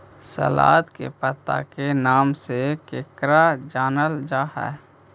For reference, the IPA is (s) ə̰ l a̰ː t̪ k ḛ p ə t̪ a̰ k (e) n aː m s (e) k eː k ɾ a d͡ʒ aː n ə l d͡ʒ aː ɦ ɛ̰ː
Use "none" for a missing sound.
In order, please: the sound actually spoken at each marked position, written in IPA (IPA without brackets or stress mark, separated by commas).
s, e, e